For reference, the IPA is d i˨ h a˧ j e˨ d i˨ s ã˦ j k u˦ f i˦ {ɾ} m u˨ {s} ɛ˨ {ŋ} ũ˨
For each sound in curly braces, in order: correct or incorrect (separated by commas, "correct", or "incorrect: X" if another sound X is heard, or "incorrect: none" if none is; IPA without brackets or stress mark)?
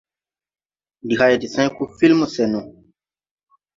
incorrect: l, correct, incorrect: n